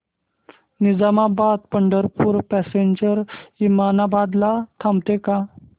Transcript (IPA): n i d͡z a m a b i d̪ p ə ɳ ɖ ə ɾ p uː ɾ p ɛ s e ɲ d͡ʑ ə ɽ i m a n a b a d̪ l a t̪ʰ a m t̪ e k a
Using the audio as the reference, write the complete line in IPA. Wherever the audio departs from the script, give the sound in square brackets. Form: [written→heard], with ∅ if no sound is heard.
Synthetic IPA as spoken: n i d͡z a m a b [i→a] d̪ p ə ɳ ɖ ə ɾ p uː ɾ p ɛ s e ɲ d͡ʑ ə [ɽ→ɾ] i m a n a b a d̪ l a t̪ʰ a m t̪ e k a